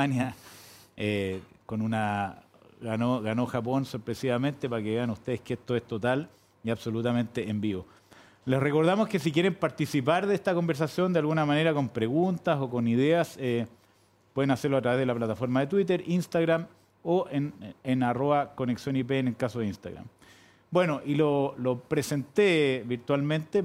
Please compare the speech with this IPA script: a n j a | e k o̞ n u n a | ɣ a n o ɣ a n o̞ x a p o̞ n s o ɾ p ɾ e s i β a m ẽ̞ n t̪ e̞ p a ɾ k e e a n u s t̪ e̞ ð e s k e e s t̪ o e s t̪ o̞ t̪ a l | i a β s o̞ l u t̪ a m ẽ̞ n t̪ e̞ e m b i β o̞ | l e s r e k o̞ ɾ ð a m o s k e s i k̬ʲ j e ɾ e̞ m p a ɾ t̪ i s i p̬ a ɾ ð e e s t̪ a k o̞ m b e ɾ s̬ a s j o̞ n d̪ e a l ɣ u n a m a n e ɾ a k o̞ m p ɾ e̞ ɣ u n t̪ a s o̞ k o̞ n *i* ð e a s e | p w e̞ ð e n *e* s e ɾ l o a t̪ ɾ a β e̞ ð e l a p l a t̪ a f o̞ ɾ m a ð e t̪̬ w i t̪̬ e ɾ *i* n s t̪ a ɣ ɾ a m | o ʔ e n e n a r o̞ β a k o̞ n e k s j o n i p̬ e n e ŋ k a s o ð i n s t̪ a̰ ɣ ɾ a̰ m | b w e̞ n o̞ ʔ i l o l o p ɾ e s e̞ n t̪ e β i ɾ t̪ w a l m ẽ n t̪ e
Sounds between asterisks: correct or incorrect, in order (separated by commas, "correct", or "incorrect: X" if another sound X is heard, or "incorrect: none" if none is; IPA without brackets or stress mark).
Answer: correct, incorrect: a, correct